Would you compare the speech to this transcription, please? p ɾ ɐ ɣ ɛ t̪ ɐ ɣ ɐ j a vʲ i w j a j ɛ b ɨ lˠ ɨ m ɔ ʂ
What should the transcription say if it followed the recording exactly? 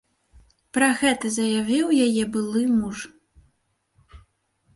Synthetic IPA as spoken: p ɾ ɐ ɣ ɛ t̪ ɐ z ɐ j a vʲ i w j a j ɛ b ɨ lˠ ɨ m u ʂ